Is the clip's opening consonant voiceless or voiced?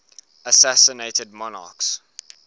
voiceless